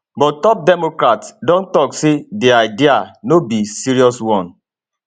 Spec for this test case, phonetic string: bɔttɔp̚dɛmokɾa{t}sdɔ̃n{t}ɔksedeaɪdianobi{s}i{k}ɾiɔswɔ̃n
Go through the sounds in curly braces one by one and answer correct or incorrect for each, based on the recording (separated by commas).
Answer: correct, correct, correct, incorrect